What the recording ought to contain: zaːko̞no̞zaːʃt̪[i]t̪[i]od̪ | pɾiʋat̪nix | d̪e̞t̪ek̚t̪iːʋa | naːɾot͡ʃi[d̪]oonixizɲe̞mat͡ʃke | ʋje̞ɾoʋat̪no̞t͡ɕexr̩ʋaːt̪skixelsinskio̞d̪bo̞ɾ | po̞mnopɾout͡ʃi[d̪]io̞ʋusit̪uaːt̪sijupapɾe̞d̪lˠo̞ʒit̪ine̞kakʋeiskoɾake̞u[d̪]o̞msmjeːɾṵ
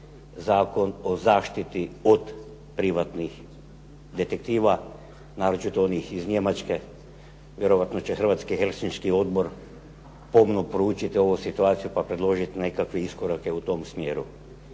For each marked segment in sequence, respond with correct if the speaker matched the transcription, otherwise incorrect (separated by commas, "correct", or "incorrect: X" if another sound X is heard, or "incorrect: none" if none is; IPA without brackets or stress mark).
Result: correct, correct, incorrect: t̪, incorrect: t̪, incorrect: t̪